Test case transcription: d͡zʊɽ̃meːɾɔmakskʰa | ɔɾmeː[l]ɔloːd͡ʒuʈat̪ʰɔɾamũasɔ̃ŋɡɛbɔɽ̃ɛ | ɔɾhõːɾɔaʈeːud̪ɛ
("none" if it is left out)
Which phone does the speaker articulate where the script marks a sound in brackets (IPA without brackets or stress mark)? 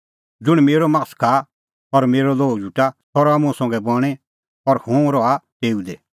ɾ